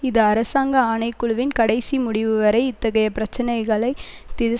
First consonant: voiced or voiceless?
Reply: voiced